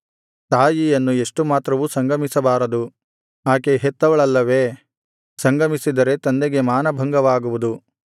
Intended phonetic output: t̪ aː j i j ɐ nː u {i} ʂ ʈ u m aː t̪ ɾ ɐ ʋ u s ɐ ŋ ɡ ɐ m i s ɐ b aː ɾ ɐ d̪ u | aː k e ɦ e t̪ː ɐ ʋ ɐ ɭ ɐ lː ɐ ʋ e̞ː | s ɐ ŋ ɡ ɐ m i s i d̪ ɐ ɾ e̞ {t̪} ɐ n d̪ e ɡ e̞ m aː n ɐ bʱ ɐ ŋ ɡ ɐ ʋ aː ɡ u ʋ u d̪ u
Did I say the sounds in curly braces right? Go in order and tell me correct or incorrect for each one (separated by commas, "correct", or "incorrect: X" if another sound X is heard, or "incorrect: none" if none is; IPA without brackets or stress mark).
incorrect: e, correct